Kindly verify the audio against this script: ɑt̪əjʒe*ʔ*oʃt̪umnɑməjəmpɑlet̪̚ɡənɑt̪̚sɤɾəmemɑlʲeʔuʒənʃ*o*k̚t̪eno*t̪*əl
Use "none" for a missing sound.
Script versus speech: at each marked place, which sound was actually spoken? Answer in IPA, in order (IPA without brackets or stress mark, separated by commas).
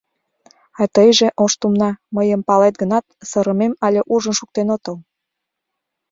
ʔ, u, t̪